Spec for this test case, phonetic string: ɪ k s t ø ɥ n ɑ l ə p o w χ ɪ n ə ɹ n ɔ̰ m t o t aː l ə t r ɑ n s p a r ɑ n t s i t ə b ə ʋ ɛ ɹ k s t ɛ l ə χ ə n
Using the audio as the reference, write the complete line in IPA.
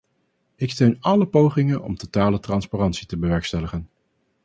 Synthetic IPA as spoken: ɪ k s t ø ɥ n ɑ l ə p o w χ ɪ ŋ ə n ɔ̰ m t o t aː l ə t r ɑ n s p a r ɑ n t s i t ə b ə ʋ ɛ ɹ k s t ɛ l ə χ ə n